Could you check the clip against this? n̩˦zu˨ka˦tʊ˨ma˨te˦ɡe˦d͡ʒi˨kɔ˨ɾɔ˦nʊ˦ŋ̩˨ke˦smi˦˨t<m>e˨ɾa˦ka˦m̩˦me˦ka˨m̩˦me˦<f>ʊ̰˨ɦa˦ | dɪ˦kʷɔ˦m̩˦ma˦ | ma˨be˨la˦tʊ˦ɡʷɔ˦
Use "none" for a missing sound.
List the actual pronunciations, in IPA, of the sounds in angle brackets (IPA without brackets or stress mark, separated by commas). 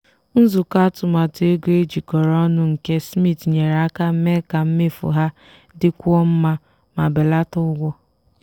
ɲ, f